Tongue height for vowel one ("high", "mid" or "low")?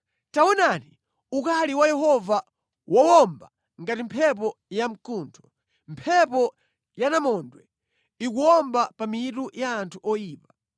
low